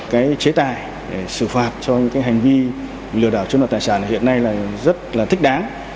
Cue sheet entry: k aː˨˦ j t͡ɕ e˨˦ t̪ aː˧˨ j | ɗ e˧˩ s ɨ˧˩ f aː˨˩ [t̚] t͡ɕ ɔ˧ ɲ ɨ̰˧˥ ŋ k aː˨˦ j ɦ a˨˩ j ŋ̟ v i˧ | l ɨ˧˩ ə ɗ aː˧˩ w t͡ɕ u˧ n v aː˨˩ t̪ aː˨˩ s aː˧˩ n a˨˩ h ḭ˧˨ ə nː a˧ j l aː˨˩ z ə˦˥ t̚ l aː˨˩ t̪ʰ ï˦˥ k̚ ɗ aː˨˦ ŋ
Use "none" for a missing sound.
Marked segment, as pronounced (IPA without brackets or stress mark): t̚